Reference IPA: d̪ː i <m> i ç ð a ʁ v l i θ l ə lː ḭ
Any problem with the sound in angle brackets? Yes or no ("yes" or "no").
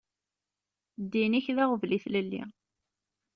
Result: yes